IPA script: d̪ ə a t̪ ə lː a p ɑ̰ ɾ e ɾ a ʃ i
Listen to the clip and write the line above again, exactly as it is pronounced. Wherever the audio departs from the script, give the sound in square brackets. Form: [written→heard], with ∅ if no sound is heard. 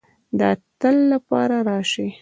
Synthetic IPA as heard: d̪ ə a t̪ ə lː a p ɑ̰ ɾ [e→a] ɾ [a→ɑ] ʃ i

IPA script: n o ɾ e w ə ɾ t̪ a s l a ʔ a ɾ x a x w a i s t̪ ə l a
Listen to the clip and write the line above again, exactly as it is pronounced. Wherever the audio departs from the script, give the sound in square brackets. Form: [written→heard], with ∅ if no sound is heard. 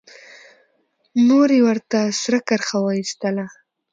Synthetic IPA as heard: n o ɾ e w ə ɾ t̪ a s [l→ɾ] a [ʔ→k] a ɾ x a [x→∅] w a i s t̪ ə l a

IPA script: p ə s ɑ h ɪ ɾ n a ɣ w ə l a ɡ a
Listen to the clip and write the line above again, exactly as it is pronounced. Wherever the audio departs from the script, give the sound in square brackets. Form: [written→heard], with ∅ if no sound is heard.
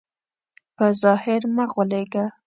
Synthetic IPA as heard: p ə [s→z] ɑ h ɪ ɾ [n→m] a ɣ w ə l [a→e] ɡ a

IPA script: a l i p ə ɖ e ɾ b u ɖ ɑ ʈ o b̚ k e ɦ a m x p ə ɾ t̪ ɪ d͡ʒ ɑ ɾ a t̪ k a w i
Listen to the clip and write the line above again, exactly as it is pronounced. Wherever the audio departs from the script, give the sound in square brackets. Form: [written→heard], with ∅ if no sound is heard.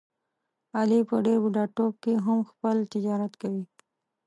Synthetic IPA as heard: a l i p ə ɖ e ɾ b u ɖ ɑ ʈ o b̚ k e ɦ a m x p ə [ɾ→l] t̪ ɪ d͡ʒ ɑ ɾ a t̪ k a w i

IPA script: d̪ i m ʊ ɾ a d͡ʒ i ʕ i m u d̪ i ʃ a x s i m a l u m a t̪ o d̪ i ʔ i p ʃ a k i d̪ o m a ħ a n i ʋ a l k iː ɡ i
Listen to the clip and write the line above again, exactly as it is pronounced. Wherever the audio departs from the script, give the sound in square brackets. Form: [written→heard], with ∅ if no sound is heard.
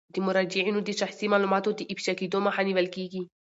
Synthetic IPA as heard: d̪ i m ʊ ɾ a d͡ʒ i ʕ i [m→n] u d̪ i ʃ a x s i m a l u m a t̪ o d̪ i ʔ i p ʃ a k i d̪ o m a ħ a n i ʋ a l k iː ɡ i

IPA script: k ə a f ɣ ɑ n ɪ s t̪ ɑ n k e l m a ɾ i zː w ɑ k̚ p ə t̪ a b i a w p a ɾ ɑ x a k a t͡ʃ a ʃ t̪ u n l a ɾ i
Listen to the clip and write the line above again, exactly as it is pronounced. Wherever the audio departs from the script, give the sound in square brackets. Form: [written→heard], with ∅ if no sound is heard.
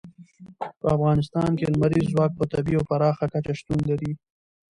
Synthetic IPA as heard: [k→p] ə a f ɣ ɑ n ɪ s t̪ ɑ n k e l m a ɾ i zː w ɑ k̚ p ə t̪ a b i a w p a ɾ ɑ x a k a t͡ʃ a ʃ t̪ u n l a ɾ i

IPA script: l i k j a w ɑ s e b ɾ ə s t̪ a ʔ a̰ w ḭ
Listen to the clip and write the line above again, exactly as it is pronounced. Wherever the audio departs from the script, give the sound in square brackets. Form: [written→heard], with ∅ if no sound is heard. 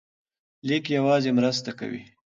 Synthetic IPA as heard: l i k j a w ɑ [s→z] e [b→m] ɾ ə s t̪ a [ʔ→k] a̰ w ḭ

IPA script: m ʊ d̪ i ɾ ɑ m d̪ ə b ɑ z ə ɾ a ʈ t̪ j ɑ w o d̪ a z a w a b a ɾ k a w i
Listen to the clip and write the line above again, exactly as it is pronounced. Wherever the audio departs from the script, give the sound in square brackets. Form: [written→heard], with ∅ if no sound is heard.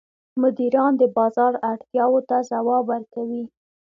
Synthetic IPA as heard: m ʊ d̪ i ɾ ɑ [m→n] d̪ ə b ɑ z [ə→ɑ] ɾ a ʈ t̪ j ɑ w o [d̪→t̪] a z a w [a→ɑ] b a ɾ k a w i

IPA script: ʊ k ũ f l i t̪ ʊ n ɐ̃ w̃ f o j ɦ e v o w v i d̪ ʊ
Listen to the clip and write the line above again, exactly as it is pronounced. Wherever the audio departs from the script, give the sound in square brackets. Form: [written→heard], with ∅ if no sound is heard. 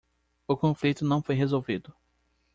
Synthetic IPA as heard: ʊ k [ũ→õ] f l i t̪ ʊ n ɐ̃ w̃ f o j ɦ e [v→z] o w v i d̪ ʊ

